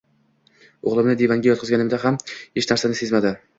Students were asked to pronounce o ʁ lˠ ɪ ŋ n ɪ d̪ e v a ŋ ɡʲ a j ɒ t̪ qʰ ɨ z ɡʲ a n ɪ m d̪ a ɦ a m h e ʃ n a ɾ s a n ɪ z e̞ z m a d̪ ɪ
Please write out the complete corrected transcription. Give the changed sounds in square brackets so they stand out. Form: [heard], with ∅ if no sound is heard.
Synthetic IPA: o ʁ lˠ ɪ [m] n ɪ d̪ e v a ŋ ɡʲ a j ɒ t̪ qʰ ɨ z ɡʲ a n ɪ m d̪ a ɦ a m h e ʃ n a ɾ s a n ɪ [s] e̞ z m a d̪ ɪ